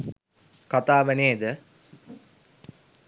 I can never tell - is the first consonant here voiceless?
yes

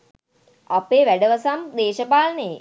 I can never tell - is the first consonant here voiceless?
yes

